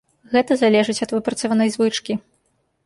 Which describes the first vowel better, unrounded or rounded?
unrounded